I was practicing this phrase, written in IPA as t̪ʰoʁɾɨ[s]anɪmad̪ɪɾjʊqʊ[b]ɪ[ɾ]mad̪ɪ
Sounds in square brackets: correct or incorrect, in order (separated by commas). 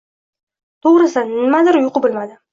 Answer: correct, correct, incorrect